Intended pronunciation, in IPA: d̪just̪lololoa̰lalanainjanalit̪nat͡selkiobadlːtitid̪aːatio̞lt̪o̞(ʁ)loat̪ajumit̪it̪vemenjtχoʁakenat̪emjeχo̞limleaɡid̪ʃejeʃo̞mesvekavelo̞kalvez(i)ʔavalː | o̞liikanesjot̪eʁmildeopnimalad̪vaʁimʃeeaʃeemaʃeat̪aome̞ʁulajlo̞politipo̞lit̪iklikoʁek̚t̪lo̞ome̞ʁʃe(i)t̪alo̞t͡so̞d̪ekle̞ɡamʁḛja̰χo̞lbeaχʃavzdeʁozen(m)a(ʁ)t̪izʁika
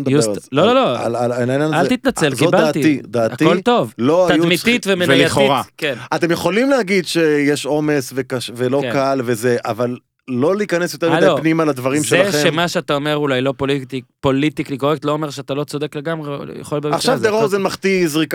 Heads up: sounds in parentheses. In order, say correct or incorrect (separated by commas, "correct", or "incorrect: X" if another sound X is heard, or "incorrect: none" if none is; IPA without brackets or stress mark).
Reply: incorrect: v, incorrect: e, incorrect: a, correct, incorrect: χ